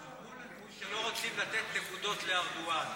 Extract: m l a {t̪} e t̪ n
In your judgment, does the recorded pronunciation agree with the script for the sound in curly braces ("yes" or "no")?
yes